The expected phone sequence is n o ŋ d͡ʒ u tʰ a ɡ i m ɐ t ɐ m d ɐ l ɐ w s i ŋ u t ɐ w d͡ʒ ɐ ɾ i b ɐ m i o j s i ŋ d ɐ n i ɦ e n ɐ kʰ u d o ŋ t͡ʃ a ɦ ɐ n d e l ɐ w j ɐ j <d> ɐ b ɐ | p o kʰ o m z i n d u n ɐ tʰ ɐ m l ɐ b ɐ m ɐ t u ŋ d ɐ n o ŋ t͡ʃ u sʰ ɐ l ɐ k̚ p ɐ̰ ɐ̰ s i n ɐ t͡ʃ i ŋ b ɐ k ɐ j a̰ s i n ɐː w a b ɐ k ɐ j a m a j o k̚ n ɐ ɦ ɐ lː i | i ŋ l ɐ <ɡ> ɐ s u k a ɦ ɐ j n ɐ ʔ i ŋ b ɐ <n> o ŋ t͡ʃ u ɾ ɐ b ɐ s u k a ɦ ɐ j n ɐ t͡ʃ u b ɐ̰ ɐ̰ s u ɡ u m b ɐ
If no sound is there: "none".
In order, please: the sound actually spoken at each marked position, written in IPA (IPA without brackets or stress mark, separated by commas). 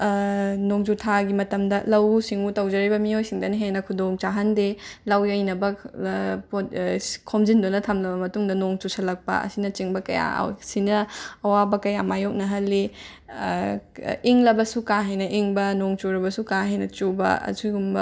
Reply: n, b, n